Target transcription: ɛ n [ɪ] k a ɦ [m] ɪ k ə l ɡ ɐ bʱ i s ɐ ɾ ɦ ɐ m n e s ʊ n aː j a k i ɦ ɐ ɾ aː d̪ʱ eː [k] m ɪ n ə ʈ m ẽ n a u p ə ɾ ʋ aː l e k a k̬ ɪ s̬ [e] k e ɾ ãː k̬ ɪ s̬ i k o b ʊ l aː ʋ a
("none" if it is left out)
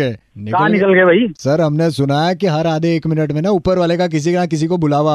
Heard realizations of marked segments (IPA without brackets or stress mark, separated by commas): ɪ, n, k, i